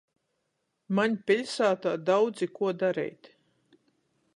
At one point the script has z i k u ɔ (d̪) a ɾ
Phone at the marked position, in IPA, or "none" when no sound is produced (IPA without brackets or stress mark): d̪